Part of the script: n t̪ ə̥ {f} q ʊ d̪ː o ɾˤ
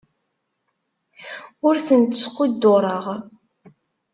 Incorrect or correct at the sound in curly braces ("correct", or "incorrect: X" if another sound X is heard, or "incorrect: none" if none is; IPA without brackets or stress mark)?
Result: incorrect: s